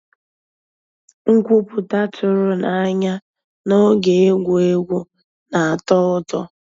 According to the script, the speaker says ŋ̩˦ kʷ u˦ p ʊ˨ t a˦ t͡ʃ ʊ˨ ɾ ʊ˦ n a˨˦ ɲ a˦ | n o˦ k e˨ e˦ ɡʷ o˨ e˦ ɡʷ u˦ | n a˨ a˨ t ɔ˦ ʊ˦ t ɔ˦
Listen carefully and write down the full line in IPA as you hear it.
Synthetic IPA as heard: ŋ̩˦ kʷ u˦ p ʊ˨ t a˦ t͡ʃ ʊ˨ ɾ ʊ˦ n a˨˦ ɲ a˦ | n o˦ ɡ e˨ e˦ ɡʷ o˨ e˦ ɡʷ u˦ | n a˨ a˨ t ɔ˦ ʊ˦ t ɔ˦